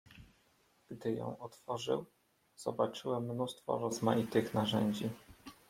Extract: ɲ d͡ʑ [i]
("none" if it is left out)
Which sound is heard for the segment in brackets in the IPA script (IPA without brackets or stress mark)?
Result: i